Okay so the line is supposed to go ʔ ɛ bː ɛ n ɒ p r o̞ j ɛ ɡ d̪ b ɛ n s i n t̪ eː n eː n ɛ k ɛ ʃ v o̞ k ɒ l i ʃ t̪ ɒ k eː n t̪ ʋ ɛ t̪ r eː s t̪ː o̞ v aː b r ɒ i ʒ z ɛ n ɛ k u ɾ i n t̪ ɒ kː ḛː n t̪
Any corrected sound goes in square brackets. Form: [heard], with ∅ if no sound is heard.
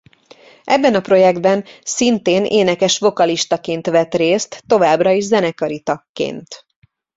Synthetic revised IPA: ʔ ɛ bː ɛ n ɒ p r o̞ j ɛ ɡ d̪ b ɛ n s i n t̪ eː n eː n ɛ k ɛ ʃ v o̞ k ɒ l i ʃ t̪ ɒ k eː n t̪ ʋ ɛ t̪ r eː s t̪ː o̞ v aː b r ɒ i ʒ z ɛ n ɛ k [ɒ] ɾ i [∅] t̪ ɒ kː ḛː n t̪

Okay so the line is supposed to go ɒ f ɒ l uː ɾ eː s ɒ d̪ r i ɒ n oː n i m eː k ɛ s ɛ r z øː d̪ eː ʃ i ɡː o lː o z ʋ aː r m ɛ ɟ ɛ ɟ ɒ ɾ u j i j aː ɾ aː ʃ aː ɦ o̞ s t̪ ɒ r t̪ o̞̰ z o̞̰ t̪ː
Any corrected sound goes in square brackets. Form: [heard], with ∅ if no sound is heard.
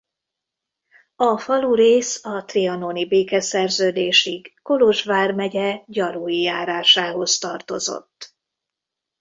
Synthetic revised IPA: ɒ f ɒ l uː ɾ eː s ɒ [t̪] r i ɒ n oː n i [b] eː k ɛ s ɛ r z øː d̪ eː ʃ i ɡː o [l] o [ʒ] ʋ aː r m ɛ ɟ ɛ ɟ ɒ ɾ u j i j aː ɾ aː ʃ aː ɦ o̞ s t̪ ɒ r t̪ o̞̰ z o̞̰ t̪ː

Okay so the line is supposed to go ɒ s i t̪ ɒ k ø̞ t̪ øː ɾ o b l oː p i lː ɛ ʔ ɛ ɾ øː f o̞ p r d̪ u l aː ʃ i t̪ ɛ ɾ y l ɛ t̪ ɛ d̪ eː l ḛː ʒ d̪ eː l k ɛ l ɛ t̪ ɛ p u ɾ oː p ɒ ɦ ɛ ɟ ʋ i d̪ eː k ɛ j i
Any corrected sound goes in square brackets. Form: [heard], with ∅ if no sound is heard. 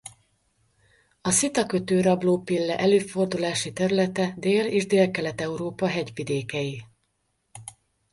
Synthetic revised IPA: ɒ s i t̪ ɒ k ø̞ t̪ øː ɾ [ɒ] b l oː p i lː ɛ ʔ ɛ [l] øː f o̞ [∅] r d̪ u l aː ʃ i t̪ ɛ ɾ y l ɛ t̪ ɛ d̪ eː l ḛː ʒ d̪ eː l k ɛ l ɛ t̪ ɛ [∅] u ɾ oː p ɒ ɦ ɛ ɟ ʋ i d̪ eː k ɛ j i

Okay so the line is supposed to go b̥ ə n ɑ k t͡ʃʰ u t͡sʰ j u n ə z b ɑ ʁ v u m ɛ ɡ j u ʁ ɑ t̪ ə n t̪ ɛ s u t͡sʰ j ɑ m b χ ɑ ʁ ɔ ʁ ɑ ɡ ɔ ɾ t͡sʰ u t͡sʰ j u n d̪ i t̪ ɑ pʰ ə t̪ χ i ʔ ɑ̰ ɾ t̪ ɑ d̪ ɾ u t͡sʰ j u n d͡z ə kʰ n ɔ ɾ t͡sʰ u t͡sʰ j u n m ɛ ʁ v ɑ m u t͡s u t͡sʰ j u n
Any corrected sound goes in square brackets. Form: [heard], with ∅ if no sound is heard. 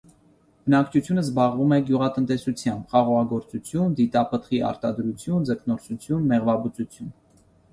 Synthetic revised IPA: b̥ ə n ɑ k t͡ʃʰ u t͡sʰ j u n ə z b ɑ ʁ v u m ɛ ɡ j u ʁ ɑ t̪ ə n t̪ ɛ s u t͡sʰ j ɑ m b χ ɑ ʁ ɔ ʁ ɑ ɡ ɔ ɾ [t͡s] u t͡sʰ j u n d̪ i t̪ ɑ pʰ ə t̪ χ i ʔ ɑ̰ ɾ t̪ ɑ d̪ ɾ u t͡sʰ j u n d͡z ə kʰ n ɔ ɾ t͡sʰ u t͡sʰ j u n m ɛ ʁ v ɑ [b] u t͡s u t͡sʰ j u n

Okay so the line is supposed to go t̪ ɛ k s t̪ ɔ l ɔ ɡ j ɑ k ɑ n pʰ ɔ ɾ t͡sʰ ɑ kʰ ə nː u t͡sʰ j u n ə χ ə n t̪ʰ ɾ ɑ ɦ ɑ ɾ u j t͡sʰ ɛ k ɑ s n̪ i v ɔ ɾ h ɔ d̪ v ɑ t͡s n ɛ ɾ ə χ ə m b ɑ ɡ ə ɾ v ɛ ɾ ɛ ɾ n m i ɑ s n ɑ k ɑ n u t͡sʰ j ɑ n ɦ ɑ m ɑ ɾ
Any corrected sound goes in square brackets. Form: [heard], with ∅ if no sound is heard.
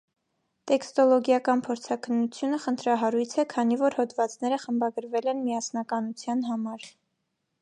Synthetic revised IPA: t̪ ɛ k s t̪ ɔ l ɔ ɡ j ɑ k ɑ n pʰ ɔ ɾ t͡sʰ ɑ kʰ ə nː u t͡sʰ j u n ə χ ə n t̪ʰ ɾ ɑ ɦ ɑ ɾ u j t͡sʰ ɛ [kʰ] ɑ [∅] n̪ i v ɔ ɾ h ɔ d̪ v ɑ t͡s n ɛ ɾ ə χ ə m b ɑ ɡ ə ɾ v ɛ [l] ɛ [∅] n m i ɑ s n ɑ k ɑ n u t͡sʰ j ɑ n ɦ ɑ m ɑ ɾ

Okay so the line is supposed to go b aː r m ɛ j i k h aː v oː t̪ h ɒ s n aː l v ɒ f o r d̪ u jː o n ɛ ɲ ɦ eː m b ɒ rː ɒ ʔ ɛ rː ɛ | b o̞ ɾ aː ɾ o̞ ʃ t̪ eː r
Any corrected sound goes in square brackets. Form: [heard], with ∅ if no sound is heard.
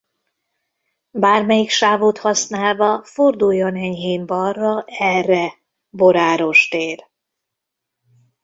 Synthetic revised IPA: b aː r m ɛ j i k [ʃ] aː v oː t̪ h ɒ s n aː l v ɒ f o r d̪ u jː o n ɛ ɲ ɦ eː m b ɒ rː ɒ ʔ ɛ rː ɛ | b o̞ ɾ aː ɾ o̞ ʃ t̪ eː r

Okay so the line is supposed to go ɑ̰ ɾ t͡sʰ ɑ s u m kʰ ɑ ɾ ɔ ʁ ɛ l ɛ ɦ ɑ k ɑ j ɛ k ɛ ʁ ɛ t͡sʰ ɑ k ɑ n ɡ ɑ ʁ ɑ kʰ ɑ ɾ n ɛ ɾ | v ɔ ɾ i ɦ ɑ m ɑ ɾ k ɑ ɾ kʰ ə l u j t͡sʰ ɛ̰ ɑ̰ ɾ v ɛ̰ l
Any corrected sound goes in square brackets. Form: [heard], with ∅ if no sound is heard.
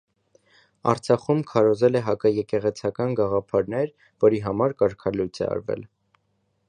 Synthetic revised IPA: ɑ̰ ɾ t͡sʰ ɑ [χ] u m kʰ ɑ ɾ ɔ [z] ɛ l ɛ ɦ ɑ k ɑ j ɛ k ɛ ʁ ɛ t͡sʰ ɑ k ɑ n ɡ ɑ ʁ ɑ [pʰ] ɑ ɾ n ɛ ɾ | v ɔ ɾ i ɦ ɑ m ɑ ɾ k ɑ ɾ kʰ [ɑ] l u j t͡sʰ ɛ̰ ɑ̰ ɾ v ɛ̰ l

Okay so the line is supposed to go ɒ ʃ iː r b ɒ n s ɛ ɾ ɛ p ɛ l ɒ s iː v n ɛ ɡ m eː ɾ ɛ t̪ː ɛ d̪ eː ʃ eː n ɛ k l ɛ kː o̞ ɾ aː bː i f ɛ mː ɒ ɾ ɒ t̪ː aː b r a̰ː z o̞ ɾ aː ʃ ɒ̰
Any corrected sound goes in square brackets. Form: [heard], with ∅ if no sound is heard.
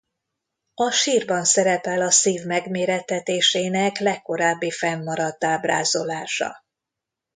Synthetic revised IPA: ɒ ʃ iː r b ɒ n s ɛ ɾ ɛ p ɛ l ɒ s iː v [m] ɛ ɡ m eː ɾ ɛ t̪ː ɛ [t̪] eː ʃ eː n ɛ k l ɛ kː o̞ ɾ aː bː i f ɛ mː ɒ ɾ ɒ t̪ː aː b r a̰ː z o̞ [l] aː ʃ ɒ̰

